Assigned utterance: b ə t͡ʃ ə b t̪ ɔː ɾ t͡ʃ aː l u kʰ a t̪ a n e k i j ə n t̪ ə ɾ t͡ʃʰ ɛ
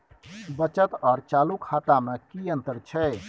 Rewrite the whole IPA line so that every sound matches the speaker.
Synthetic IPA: b ə t͡ʃ ə t̪ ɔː ɾ t͡ʃ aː l u kʰ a t̪ a m e k i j ə n t̪ ə ɾ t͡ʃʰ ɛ